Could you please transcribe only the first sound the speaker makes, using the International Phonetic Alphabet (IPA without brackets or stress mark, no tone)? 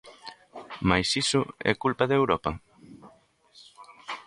m